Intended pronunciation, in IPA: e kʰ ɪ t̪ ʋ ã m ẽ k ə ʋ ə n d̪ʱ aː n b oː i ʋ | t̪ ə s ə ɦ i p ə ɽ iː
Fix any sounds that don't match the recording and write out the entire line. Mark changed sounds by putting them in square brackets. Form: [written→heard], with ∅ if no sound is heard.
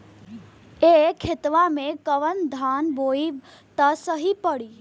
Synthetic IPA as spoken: e kʰ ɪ t̪ ʋ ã m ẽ k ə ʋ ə n d̪ʱ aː n b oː i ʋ | t̪ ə s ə ɦ i p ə ɽ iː